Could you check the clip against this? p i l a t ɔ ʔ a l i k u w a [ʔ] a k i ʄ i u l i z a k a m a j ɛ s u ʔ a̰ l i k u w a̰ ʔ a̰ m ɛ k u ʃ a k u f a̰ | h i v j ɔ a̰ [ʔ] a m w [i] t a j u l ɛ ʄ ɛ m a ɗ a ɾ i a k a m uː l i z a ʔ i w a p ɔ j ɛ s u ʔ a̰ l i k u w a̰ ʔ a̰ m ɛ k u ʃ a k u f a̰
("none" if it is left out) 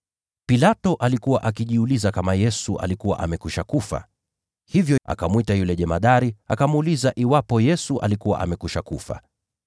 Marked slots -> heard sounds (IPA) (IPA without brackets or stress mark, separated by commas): ʔ, k, i